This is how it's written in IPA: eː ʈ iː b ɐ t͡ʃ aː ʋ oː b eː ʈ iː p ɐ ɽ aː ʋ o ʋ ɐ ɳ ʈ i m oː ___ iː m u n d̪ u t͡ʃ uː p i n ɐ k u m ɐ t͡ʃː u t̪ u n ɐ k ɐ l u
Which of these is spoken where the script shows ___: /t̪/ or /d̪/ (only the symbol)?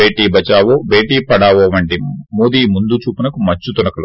d̪